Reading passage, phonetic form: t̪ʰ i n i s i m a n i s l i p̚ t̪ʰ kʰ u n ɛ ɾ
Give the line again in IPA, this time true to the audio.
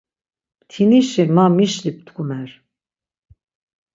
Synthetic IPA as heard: t̪ʰ i n i ʃ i m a m i ʃ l i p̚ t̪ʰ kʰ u m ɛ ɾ